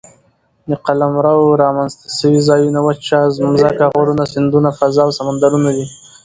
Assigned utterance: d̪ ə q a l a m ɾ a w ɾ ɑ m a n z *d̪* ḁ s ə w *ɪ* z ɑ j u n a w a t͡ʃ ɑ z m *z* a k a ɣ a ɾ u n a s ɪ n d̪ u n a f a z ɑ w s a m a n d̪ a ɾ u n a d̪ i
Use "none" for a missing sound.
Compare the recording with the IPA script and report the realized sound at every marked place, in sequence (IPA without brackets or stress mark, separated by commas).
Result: t̪, i, z